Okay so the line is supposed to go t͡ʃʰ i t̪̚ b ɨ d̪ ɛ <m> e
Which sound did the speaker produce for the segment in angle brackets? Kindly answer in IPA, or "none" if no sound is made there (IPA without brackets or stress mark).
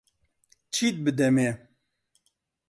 m